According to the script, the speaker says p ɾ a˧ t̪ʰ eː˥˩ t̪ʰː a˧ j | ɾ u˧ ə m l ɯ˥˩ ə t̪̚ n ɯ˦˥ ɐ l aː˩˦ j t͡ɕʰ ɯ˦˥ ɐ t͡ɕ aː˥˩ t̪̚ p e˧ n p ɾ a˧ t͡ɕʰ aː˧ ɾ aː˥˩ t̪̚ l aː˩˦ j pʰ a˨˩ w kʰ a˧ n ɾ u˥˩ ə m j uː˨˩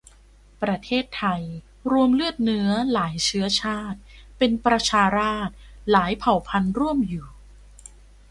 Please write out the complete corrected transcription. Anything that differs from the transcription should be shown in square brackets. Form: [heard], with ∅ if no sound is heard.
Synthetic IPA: p ɾ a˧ t̪ʰ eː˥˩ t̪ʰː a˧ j | ɾ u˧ ə m l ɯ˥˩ ə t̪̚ n ɯ˦˥ ɐ l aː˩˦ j t͡ɕʰ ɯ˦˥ ɐ [t͡ɕʰ] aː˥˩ t̪̚ p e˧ n p ɾ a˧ t͡ɕʰ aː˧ ɾ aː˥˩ t̪̚ l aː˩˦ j pʰ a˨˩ w [pʰ] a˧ n ɾ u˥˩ ə m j uː˨˩